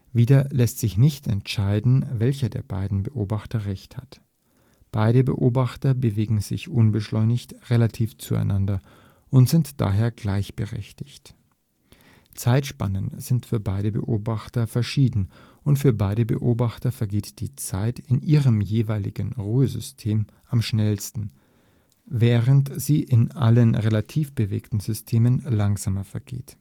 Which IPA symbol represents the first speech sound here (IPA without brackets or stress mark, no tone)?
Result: v